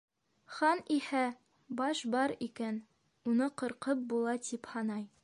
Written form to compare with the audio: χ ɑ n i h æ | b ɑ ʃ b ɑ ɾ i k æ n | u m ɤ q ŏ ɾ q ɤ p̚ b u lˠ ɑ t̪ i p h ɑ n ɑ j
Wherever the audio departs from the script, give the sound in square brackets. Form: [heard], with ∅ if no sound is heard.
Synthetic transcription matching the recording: χ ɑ n i h æ | b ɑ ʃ b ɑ ɾ i k æ n | u [n] ɤ q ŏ ɾ q ɤ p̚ b u lˠ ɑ t̪ i p h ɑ n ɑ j